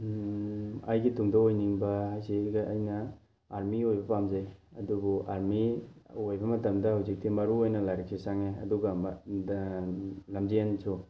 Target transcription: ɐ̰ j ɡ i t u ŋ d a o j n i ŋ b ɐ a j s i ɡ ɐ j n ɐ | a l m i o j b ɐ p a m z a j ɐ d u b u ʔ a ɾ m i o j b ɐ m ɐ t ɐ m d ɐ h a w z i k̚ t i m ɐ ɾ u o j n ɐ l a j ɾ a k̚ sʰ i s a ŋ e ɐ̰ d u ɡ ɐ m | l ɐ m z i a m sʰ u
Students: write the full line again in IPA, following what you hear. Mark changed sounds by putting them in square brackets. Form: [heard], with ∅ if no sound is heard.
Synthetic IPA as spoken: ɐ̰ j ɡ i t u ŋ d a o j n i ŋ b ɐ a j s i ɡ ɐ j n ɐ | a [ɾ] m i o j b ɐ p a m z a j ɐ d u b u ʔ a ɾ m i o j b ɐ m ɐ t ɐ m d ɐ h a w z i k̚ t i m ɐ ɾ u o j n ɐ l a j ɾ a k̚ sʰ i s a ŋ e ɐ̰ d u ɡ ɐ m | l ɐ m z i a [n] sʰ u